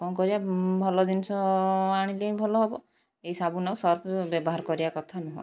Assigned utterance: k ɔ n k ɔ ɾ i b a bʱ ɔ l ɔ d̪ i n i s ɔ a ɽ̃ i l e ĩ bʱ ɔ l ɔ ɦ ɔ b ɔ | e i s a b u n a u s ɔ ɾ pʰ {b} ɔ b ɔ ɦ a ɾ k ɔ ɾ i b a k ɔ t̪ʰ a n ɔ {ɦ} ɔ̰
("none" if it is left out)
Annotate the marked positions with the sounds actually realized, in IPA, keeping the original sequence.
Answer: b, ɦ

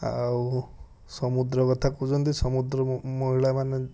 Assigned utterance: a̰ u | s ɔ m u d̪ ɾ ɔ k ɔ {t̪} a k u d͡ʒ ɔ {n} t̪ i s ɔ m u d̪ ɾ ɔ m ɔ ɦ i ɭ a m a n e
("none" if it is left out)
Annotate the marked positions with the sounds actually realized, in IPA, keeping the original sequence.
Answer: t̪ʰ, n

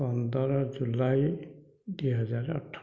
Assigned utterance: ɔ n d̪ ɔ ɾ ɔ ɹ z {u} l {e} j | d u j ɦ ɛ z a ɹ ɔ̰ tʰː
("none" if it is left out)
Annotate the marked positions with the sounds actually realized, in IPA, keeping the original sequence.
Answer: u, a

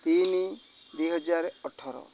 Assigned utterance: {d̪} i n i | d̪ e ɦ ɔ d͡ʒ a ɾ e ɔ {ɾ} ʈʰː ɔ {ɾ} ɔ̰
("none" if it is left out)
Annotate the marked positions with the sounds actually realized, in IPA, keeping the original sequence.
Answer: t̪, none, ɾ

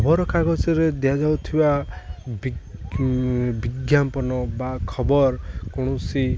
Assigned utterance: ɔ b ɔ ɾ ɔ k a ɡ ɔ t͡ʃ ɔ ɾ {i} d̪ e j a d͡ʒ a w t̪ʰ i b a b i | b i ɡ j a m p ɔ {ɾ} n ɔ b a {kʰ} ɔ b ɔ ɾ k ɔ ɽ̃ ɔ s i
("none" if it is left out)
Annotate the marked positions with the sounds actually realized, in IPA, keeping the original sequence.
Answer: e, none, kʰ

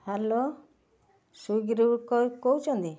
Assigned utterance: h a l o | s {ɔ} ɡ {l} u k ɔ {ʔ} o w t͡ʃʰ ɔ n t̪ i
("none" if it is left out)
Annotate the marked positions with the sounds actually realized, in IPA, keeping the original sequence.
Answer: u, ɾ, k

